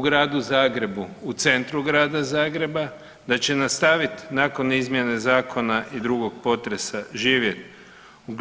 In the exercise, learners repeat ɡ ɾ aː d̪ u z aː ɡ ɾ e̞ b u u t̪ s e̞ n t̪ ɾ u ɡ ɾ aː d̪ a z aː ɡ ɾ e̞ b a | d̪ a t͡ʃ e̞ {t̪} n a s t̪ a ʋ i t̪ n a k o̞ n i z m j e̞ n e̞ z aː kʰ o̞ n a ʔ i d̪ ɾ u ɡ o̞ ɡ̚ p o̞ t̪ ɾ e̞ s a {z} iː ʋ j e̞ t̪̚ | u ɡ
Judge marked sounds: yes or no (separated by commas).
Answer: no, no